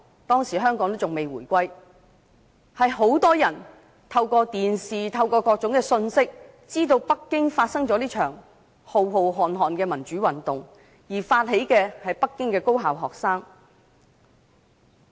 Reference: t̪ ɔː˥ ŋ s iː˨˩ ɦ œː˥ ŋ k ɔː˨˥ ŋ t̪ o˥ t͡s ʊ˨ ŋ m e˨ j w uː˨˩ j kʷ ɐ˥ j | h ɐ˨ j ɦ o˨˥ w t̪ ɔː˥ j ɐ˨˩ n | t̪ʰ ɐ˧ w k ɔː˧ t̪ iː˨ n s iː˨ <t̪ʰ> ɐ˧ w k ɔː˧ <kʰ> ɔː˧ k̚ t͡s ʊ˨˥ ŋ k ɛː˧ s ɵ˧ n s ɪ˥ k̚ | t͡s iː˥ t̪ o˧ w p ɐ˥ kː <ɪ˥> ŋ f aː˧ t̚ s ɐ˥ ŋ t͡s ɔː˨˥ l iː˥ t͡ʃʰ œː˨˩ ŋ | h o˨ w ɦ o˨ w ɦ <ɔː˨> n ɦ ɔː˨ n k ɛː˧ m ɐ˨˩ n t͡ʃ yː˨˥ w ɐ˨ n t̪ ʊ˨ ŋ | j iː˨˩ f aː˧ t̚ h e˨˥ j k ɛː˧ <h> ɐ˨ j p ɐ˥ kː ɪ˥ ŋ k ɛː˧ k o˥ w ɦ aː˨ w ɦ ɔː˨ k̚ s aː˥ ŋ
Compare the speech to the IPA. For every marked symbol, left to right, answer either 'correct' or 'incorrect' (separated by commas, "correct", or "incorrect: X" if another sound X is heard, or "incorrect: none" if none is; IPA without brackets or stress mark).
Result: correct, incorrect: k, correct, correct, correct